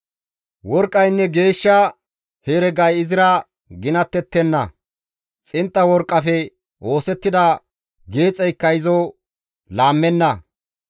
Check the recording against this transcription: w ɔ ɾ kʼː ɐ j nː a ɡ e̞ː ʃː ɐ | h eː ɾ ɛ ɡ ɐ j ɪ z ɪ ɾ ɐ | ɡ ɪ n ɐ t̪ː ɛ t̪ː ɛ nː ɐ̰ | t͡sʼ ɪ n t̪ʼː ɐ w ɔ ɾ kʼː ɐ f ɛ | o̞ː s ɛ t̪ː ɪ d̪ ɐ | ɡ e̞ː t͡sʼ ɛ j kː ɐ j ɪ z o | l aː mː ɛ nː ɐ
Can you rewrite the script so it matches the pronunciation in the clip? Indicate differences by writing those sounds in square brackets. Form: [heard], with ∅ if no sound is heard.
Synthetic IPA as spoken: w ɔ ɾ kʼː ɐ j nː [ɛ] ɡ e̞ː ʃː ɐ | h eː ɾ ɛ ɡ ɐ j ɪ z ɪ ɾ ɐ | ɡ ɪ n ɐ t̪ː ɛ t̪ː ɛ nː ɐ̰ | t͡sʼ ɪ n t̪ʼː ɐ w ɔ ɾ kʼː ɐ f ɛ | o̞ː s ɛ t̪ː ɪ d̪ ɐ | ɡ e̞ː t͡sʼ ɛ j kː ɐ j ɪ z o | l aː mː ɛ nː ɐ

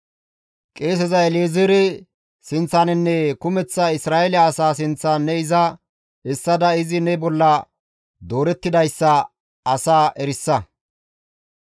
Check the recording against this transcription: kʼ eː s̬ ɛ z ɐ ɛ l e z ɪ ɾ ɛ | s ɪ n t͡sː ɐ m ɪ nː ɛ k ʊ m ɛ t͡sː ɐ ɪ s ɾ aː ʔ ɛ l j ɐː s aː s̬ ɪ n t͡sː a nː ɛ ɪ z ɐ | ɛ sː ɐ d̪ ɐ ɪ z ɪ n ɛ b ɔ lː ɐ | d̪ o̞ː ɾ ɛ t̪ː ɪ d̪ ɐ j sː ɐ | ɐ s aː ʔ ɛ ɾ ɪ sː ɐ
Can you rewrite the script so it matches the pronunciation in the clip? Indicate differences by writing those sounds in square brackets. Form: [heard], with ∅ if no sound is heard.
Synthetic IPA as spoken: kʼ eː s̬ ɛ z ɐ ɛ l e z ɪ ɾ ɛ | s ɪ n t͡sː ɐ [n] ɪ nː ɛ k ʊ m ɛ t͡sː ɐ ɪ s ɾ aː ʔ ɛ l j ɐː s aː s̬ ɪ n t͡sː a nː ɛ ɪ z ɐ | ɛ sː ɐ d̪ ɐ ɪ z ɪ n ɛ b ɔ lː ɐ | d̪ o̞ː ɾ ɛ t̪ː ɪ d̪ ɐ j sː ɐ | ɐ s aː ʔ ɛ ɾ ɪ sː ɐ

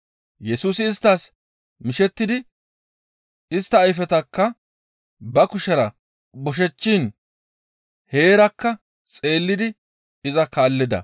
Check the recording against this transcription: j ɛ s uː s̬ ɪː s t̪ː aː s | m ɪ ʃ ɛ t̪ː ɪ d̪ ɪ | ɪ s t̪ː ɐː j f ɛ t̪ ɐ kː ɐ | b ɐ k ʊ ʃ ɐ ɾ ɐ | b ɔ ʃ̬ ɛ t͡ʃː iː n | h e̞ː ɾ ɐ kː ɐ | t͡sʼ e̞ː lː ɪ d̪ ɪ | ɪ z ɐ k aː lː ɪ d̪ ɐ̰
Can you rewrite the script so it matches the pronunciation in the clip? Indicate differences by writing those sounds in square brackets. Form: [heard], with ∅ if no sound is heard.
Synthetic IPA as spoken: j ɛ s uː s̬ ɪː s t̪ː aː s | m ɪ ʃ ɛ t̪ː ɪ d̪ ɪ | ɪ s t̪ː ɐː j f ɛ t̪ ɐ kː ɐ | b ɐ k ʊ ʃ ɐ ɾ ɐ | b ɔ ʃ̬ ɛ t͡ʃː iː n | h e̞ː ɾ ɐ kː ɐ | t͡sʼ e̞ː lː ɪ d̪ ɪ | ɪ z ɐ k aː lː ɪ d̪ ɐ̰

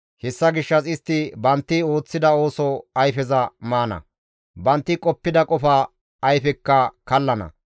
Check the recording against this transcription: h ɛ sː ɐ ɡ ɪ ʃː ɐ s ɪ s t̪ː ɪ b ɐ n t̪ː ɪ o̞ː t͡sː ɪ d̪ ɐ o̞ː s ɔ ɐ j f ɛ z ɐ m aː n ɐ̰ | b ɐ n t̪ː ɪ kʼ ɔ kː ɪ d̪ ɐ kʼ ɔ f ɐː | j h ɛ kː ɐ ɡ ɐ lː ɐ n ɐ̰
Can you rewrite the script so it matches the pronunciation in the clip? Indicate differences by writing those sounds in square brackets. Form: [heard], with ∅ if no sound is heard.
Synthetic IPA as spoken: h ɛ sː ɐ ɡ ɪ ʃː ɐ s ɪ s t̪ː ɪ b ɐ n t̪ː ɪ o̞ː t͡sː ɪ d̪ ɐ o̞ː s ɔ ɐ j f ɛ z ɐ m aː n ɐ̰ | b ɐ n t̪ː ɪ kʼ ɔ [pː] ɪ d̪ ɐ kʼ ɔ f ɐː | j [f] ɛ kː ɐ [k] ɐ lː ɐ n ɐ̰

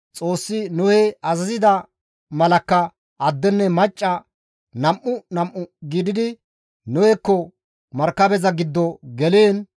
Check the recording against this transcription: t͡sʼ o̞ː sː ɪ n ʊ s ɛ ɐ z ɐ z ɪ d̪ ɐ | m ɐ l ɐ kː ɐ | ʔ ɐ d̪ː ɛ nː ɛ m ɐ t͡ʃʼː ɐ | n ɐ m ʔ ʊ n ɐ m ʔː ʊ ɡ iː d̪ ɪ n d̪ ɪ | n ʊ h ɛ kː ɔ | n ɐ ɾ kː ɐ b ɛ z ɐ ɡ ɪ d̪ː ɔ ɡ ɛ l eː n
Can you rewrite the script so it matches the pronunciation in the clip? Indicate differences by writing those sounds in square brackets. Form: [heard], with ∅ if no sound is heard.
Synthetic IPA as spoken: t͡sʼ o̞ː sː ɪ n ʊ [h] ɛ ɐ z ɐ z ɪ d̪ ɐ | m ɐ l ɐ kː ɐ | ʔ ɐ d̪ː ɛ nː ɛ m ɐ t͡ʃʼː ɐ | n ɐ m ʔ ʊ n ɐ m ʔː ʊ ɡ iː d̪ ɪ [∅] d̪ ɪ | n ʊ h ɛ kː ɔ | [m] ɐ ɾ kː ɐ b ɛ z ɐ ɡ ɪ d̪ː ɔ ɡ ɛ l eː n

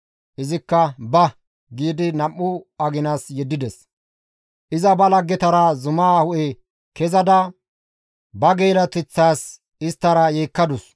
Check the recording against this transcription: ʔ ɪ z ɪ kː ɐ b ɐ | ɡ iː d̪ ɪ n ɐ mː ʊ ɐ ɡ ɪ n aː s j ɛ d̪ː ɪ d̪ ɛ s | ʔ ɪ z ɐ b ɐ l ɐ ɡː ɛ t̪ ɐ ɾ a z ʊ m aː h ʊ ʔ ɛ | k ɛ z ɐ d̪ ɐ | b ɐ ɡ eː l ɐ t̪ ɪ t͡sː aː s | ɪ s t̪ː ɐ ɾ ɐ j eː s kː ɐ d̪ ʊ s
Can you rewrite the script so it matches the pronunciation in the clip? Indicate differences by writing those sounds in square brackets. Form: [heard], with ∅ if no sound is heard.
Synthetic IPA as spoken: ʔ ɪ z ɪ kː ɐ b ɐ | ɡ iː d̪ ɪ n ɐ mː ʊ ɐ ɡ ɪ n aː s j ɛ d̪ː ɪ d̪ ɛ s | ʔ ɪ z ɐ b ɐ l ɐ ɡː ɛ t̪ ɐ ɾ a z ʊ m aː h ʊ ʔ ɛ | k ɛ z ɐ d̪ ɐ | b ɐ ɡ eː l ɐ t̪ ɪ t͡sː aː s | ɪ s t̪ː ɐ ɾ ɐ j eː [∅] kː ɐ d̪ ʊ s

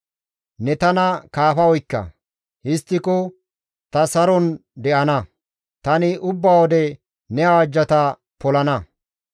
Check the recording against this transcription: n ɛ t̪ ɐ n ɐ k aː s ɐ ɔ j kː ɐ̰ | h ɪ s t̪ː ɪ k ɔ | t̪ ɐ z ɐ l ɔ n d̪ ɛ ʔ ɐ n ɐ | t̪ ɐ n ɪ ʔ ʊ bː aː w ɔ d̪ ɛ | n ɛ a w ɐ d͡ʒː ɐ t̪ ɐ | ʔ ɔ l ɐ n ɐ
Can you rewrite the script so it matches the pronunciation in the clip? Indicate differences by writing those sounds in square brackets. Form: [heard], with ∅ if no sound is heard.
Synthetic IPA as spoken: n ɛ t̪ ɐ n ɐ k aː [f] ɐ ɔ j kː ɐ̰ | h ɪ s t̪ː ɪ k ɔ | t̪ ɐ [s] ɐ [ɾ] ɔ n d̪ ɛ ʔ ɐ n ɐ | t̪ ɐ n ɪ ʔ ʊ bː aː w ɔ d̪ ɛ | n ɛ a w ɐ d͡ʒː ɐ t̪ ɐ | [p] ɔ l ɐ n ɐ

